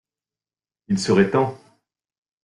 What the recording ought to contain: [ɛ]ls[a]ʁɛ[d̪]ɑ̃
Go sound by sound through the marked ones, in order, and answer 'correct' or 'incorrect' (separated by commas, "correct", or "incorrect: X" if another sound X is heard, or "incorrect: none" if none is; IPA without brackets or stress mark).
incorrect: i, incorrect: ə, incorrect: t̪